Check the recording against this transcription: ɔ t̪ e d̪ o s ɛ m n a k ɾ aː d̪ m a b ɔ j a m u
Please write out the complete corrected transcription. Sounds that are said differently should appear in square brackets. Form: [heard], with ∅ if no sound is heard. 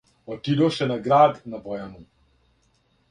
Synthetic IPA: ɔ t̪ [i] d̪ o [ʃ] ɛ [∅] n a [ɡ] ɾ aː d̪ [n] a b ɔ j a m u